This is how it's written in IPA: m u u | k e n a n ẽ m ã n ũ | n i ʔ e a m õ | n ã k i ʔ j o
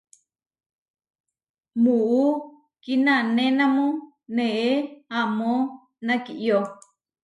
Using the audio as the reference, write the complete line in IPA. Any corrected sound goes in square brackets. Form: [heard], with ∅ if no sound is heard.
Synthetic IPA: m u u | k [i] n a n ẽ [n] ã [m] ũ | n [e] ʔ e a m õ | n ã k i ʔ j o